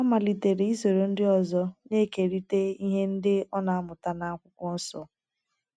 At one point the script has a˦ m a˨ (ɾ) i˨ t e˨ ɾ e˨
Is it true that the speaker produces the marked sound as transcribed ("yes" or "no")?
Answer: no